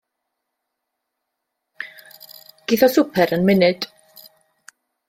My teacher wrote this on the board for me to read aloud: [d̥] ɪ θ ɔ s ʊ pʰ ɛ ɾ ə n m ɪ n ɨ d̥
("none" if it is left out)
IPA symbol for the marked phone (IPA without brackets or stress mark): ɡ̥